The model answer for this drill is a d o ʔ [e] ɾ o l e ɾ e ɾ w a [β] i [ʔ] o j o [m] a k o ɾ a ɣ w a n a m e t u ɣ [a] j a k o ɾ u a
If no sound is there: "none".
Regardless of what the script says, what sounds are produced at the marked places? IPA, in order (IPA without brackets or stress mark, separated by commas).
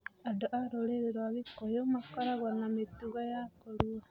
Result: a, β, k, m, a